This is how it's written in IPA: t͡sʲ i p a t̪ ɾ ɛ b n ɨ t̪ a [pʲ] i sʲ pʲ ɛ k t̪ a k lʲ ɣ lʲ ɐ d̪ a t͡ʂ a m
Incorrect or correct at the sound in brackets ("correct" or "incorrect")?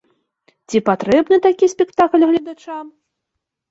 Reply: incorrect